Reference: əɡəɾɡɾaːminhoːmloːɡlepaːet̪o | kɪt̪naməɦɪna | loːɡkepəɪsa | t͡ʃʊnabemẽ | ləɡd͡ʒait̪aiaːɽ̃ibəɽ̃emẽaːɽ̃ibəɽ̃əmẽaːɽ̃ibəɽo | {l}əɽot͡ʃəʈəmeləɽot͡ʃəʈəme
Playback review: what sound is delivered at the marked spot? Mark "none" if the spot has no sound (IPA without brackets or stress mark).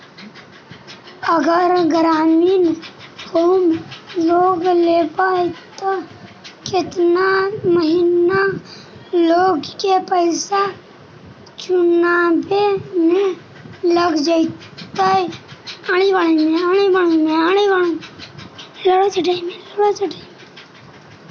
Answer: l